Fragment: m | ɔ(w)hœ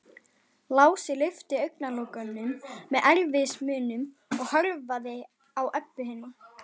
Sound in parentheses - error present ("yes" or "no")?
yes